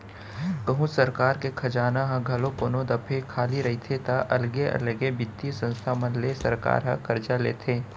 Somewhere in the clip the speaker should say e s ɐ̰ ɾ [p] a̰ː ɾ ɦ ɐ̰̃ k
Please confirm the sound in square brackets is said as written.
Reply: no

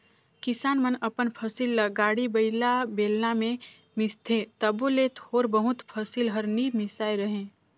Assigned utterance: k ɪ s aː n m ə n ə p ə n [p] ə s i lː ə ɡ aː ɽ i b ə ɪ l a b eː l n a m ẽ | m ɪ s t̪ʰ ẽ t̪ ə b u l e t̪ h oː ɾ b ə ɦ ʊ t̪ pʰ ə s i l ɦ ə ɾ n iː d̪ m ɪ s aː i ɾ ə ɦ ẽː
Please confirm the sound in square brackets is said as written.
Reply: no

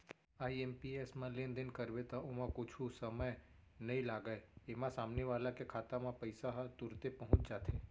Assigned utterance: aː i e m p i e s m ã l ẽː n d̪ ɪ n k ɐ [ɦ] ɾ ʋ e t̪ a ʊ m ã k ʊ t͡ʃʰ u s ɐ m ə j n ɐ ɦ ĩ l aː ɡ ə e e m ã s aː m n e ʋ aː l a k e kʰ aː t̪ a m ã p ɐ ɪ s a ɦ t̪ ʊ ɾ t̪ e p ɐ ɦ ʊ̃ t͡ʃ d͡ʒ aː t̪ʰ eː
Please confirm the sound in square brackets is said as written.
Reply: no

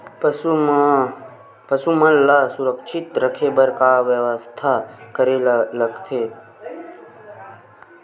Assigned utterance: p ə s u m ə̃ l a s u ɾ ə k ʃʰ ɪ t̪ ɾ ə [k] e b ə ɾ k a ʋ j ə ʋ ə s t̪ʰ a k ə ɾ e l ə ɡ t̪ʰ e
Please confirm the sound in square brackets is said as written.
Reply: no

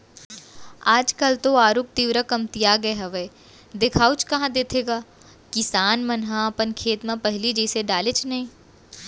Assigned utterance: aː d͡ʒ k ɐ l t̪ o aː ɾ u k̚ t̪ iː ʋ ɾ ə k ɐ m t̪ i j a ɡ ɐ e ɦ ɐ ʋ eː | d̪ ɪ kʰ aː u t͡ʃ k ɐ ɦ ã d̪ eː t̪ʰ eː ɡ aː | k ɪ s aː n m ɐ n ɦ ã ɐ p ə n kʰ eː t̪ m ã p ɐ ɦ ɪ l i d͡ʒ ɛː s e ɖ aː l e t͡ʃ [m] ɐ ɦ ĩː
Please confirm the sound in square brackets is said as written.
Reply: no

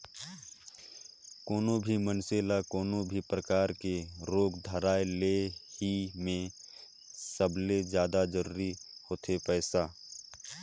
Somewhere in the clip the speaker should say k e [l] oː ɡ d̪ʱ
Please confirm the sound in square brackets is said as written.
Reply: no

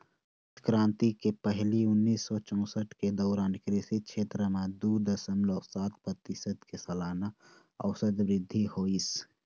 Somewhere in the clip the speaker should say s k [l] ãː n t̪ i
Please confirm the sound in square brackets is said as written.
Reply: no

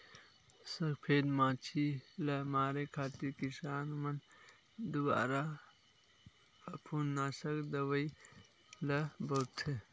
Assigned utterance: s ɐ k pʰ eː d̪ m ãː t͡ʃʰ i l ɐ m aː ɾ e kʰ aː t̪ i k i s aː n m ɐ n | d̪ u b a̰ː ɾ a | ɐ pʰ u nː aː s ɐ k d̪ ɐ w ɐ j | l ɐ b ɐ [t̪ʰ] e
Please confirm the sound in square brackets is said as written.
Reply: yes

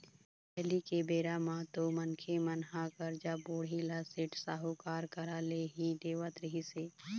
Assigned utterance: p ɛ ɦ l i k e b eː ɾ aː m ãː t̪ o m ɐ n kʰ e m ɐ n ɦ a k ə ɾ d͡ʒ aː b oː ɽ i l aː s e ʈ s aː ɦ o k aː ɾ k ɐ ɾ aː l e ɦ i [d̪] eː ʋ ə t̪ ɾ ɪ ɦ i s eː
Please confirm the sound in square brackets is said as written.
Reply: yes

